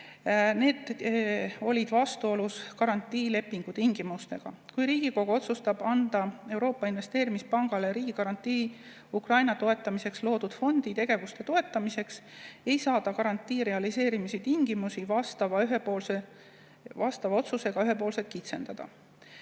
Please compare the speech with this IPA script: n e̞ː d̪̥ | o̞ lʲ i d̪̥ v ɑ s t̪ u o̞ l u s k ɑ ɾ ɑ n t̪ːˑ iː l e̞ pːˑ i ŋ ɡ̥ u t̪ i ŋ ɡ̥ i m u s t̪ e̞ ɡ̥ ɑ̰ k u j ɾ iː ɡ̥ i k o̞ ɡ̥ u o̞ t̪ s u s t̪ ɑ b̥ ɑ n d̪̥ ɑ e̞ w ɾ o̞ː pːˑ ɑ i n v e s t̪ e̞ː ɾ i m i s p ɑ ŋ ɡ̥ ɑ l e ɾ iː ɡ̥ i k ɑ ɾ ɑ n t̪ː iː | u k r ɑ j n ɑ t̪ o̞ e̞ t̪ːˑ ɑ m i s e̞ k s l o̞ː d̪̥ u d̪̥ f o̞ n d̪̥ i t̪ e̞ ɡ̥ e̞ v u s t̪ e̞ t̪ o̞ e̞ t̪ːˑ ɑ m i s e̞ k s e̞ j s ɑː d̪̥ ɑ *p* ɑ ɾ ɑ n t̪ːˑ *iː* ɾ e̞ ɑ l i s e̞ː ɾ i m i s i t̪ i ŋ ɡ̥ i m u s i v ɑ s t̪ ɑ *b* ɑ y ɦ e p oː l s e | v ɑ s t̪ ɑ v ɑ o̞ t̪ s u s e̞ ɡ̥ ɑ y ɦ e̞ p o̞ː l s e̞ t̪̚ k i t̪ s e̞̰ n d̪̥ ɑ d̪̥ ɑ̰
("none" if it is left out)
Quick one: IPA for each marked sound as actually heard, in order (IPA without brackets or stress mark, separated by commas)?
k, iː, v